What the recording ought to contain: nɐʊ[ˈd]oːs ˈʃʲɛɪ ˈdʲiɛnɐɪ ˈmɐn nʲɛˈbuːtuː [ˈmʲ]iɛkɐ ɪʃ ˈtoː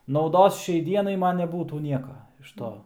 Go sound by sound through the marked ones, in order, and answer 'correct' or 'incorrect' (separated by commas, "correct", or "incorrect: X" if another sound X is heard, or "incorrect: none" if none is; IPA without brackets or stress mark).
correct, incorrect: nʲ